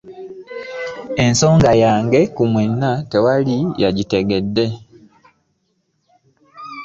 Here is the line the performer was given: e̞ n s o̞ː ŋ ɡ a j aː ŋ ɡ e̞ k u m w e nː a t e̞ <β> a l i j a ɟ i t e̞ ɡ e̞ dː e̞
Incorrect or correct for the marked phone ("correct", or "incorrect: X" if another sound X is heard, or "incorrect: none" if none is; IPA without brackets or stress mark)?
incorrect: w